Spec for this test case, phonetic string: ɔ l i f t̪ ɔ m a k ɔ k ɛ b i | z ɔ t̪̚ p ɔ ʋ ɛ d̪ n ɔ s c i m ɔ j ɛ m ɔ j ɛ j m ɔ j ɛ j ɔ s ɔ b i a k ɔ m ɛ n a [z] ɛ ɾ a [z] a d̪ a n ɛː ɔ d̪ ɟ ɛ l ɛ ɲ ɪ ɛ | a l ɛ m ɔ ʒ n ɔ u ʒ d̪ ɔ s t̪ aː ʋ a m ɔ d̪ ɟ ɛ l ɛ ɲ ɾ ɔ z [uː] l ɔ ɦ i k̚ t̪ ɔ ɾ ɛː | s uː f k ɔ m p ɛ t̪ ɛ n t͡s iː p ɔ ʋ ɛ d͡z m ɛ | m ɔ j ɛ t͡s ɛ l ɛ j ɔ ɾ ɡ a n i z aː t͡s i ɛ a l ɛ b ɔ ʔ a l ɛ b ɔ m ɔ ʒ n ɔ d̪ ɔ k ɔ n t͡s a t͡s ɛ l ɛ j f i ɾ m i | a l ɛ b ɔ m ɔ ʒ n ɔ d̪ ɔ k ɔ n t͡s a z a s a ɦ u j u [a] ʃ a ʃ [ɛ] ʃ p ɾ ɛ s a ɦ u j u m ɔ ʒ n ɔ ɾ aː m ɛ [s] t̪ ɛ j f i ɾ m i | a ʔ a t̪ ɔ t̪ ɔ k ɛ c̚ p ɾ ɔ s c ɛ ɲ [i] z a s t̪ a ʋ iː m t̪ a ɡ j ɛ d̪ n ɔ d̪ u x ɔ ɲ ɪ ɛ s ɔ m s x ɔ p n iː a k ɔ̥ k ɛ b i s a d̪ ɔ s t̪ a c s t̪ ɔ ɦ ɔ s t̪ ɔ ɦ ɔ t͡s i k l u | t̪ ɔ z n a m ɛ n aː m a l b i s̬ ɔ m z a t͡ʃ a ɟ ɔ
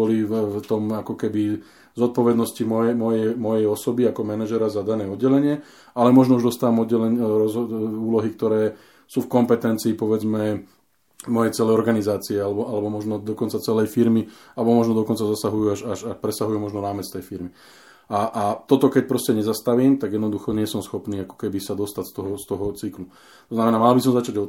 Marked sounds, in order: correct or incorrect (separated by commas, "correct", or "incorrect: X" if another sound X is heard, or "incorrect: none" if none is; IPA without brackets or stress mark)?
incorrect: ʒ, correct, correct, correct, incorrect: a, incorrect: t͡s, incorrect: ɛ